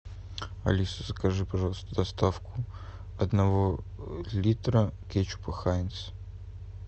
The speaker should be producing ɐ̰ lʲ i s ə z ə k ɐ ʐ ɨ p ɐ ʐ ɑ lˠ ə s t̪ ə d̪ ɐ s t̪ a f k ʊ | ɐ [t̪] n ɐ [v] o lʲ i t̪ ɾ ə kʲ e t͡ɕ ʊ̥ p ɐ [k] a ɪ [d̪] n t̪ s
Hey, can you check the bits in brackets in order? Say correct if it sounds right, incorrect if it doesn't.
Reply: incorrect: d̪, correct, incorrect: x, incorrect: none

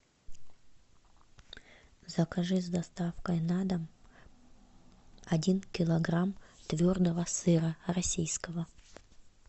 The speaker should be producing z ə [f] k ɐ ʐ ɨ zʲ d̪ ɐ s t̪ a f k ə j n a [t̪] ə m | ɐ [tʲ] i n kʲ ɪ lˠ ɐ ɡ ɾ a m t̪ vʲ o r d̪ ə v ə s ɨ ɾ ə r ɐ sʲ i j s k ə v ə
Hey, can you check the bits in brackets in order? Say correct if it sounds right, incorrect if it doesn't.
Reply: incorrect: none, incorrect: d̪, incorrect: dʲ

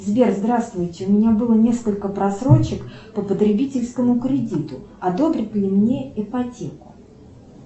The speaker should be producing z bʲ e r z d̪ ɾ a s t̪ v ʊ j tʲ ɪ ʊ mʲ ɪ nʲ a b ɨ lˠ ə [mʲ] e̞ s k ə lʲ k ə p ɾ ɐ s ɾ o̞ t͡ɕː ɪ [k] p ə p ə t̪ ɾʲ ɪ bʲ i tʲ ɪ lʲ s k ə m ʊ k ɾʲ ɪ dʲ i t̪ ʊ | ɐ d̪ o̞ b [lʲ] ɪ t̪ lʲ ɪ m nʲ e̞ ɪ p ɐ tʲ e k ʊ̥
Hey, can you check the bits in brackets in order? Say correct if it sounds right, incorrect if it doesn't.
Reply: incorrect: nʲ, correct, incorrect: ɾʲ

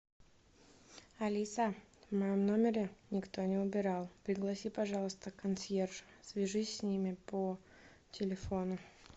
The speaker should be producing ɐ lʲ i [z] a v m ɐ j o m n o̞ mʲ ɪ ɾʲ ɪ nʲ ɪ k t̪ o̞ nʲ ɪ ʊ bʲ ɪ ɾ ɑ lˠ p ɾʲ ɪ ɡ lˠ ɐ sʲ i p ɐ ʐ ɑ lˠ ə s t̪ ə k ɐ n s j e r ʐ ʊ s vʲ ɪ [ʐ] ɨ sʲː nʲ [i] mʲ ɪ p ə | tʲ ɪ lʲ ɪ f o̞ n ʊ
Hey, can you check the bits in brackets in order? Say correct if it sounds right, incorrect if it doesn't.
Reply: incorrect: s, correct, correct

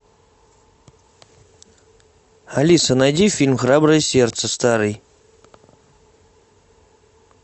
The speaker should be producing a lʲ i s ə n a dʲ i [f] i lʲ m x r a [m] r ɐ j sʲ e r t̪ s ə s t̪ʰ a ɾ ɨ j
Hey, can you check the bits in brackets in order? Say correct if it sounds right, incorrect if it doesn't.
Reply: correct, incorrect: b

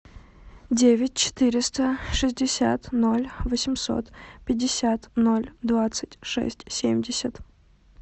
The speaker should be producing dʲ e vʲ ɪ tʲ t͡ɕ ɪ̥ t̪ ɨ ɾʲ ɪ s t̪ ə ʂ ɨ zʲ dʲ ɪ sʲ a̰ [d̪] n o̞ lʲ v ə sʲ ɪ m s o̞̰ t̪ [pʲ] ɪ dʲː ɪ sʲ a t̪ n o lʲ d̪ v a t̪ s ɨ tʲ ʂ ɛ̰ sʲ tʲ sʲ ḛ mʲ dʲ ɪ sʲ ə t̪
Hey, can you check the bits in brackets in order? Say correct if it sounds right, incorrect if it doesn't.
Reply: incorrect: t̪, correct

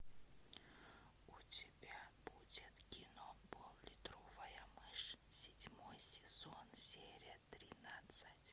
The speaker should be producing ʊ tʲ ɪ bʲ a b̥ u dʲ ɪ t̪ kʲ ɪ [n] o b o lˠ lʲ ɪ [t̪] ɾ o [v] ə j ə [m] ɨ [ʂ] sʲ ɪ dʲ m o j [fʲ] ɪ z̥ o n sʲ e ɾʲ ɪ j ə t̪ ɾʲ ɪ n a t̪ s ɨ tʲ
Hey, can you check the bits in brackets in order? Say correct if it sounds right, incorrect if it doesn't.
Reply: correct, correct, correct, correct, correct, incorrect: sʲ

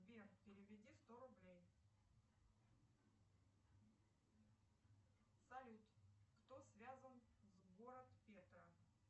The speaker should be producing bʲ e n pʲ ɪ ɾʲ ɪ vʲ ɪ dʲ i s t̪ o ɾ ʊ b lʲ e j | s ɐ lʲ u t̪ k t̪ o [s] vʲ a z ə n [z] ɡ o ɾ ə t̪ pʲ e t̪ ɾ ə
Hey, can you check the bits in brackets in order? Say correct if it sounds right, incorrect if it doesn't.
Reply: correct, correct

